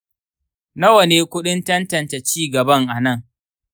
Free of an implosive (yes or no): no